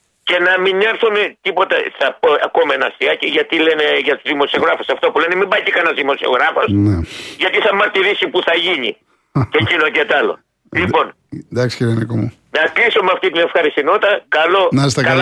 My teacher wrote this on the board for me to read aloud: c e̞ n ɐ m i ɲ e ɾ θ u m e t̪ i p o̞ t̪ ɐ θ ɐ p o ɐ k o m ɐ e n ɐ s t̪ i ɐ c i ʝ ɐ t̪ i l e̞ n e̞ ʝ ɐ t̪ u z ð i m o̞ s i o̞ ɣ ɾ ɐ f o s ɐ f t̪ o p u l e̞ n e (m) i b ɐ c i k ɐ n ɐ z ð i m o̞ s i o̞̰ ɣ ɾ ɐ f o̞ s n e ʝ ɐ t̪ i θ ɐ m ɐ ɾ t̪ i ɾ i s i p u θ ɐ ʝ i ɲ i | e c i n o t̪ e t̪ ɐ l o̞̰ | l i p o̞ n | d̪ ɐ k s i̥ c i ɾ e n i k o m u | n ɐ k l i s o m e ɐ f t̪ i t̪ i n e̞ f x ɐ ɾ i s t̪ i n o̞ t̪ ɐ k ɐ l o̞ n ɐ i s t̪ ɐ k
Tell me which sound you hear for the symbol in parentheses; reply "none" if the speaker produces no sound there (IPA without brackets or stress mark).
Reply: m